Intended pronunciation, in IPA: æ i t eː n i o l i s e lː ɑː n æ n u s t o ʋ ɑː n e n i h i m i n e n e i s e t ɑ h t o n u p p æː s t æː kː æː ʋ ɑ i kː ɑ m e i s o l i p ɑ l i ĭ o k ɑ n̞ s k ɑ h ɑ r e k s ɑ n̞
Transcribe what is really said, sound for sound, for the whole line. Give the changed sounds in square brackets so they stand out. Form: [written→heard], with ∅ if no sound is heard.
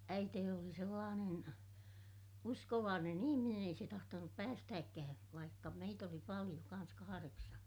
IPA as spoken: æ i t eː n i o l i s e lː ɑː n [æ→e] n u s [t→k] o ʋ ɑː n e n i h i m i n e n e i s e t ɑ h t o n u p p æː s t æː kː æː ʋ ɑ i kː ɑ m e i [s→t] o l i p ɑ l i [ĭ→j̆] o k ɑ n̞ s k ɑ h ɑ r e k s ɑ n̞